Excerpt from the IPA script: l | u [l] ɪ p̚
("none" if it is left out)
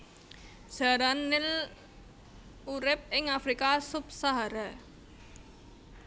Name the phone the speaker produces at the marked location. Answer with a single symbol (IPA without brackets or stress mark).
ɾ